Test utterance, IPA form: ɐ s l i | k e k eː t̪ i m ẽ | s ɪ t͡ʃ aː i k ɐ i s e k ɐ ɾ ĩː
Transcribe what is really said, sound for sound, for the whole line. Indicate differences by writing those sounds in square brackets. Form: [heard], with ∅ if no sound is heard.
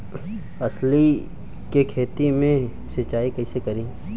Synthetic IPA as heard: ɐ s l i | k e [kʰ] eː t̪ i m ẽ | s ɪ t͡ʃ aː i k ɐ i s e k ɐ ɾ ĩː